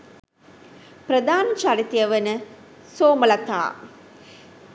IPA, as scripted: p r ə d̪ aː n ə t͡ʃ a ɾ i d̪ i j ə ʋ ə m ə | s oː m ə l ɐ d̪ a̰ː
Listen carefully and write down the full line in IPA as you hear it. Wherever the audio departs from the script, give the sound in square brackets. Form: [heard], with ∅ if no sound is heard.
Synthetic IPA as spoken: p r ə d̪ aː n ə t͡ʃ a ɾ i [t̪] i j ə ʋ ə [n] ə | s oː m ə l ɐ [t̪] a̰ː

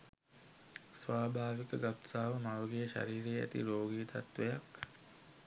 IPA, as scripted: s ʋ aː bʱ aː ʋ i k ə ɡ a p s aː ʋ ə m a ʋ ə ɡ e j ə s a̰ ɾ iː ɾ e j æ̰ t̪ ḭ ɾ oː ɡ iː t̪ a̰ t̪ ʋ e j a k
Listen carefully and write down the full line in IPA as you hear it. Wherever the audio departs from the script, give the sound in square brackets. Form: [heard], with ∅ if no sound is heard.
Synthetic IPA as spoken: s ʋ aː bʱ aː ʋ i k ə ɡ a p s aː ʋ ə m a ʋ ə ɡ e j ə [ʃ] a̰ ɾ iː ɾ e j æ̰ t̪ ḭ ɾ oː ɡ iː t̪ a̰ t̪ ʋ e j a k

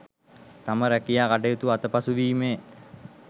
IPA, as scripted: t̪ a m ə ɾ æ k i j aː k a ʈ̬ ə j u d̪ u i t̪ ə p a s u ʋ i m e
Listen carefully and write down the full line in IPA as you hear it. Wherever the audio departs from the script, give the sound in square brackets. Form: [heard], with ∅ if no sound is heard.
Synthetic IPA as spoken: t̪ a m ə ɾ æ k i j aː k a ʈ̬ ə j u [t̪] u [a] t̪ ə p a s u ʋ [iː] m e

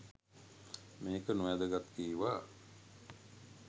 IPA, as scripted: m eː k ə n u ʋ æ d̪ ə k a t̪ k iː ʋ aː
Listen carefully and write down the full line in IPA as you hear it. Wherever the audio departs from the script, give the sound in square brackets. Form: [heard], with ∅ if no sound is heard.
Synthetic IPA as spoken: m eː k ə n u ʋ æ d̪ ə [ɡ] a t̪ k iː ʋ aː

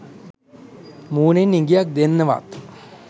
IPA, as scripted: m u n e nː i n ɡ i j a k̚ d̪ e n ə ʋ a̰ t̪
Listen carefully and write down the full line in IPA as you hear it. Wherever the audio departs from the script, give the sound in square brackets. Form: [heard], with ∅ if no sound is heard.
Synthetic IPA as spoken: m [uː] n e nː i [ŋ] ɡ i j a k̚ d̪ e [nː] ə ʋ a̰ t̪

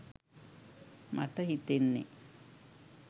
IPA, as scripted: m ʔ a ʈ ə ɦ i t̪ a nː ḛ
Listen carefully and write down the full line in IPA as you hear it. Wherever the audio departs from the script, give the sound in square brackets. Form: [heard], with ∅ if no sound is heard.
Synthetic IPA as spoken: m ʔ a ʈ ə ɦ i t̪ [e] nː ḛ

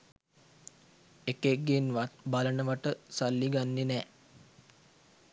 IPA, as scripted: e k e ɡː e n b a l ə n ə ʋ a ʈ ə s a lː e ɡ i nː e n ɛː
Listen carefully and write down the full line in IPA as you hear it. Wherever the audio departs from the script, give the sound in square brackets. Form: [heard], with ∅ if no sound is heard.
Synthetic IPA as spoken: e k e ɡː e n b a l ə n ə ʋ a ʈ ə s a lː [i] ɡ [a] nː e n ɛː

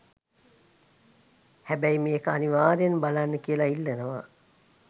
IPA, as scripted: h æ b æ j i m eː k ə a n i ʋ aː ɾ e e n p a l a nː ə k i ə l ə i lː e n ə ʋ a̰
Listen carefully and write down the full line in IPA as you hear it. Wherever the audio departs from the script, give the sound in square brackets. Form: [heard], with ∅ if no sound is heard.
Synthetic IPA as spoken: h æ b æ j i m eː k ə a n i ʋ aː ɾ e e n [b] a l a nː ə k i ə l [a] i lː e n ə ʋ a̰

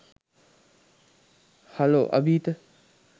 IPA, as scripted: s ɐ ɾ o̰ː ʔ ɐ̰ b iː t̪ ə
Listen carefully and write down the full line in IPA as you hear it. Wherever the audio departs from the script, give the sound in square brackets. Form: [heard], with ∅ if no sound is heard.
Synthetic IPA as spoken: [h] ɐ [l] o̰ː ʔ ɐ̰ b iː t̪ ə

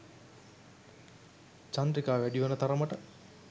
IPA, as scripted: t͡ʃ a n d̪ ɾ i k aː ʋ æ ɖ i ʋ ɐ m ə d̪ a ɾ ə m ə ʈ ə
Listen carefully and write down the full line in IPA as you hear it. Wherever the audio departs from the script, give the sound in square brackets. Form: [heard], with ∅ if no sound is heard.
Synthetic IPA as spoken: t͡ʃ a n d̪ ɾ i k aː ʋ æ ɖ i ʋ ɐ [n] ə [t̪] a ɾ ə m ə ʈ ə

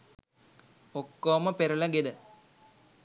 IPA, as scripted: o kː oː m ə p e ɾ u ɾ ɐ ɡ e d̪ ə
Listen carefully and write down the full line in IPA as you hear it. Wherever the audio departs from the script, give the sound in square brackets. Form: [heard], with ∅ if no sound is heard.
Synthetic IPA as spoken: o kː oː m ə p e ɾ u [l] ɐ ɡ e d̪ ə

